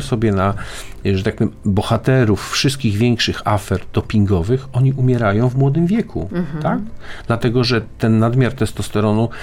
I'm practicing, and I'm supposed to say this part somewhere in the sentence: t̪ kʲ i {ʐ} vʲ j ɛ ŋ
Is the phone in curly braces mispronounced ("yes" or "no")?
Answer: yes